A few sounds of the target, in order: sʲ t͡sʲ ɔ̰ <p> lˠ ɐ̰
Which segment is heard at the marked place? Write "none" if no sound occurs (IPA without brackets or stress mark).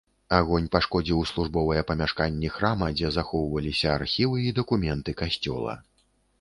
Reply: none